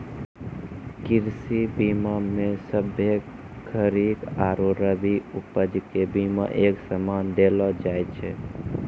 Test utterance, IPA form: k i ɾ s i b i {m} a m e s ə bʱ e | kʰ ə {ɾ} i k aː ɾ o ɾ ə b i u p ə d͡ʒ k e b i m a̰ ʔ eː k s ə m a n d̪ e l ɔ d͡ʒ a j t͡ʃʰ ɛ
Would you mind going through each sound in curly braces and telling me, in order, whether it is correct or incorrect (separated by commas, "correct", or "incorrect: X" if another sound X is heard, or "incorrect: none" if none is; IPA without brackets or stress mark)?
correct, correct